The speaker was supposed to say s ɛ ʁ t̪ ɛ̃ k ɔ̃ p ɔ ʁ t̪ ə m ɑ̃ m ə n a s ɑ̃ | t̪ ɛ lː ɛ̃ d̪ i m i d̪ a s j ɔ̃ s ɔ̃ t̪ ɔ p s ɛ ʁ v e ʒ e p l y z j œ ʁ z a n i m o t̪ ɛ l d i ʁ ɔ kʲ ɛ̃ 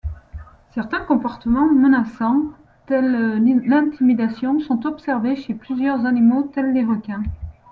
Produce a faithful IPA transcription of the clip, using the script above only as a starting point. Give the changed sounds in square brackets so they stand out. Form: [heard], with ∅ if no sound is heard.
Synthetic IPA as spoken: s ɛ ʁ t̪ ɛ̃ k ɔ̃ p ɔ ʁ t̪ ə m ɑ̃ m ə n a s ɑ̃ | t̪ ɛ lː ɛ̃ [t̪] i m i d̪ a s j ɔ̃ s ɔ̃ t̪ ɔ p s ɛ ʁ v e [ʃ] e p l y z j œ ʁ z a n i m o t̪ ɛ l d [e] ʁ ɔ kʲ ɛ̃